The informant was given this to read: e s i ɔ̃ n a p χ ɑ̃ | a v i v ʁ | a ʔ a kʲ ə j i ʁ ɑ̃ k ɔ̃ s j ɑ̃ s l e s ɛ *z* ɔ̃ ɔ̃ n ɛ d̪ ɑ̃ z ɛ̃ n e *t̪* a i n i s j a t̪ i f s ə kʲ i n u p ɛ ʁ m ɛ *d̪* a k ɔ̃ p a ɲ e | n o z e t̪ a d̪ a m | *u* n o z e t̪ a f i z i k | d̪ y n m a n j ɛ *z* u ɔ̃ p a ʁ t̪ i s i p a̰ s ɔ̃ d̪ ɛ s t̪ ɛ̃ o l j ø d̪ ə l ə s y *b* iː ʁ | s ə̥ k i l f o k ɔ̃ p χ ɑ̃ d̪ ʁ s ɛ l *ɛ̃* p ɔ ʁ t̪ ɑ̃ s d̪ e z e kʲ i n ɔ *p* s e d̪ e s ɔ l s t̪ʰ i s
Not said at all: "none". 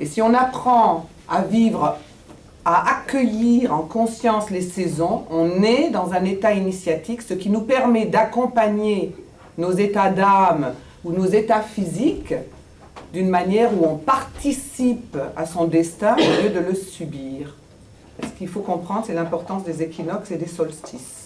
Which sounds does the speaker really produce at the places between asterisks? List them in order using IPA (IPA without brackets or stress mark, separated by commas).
z, t̪, d̪, u, ʁ, b, ɛ̃, k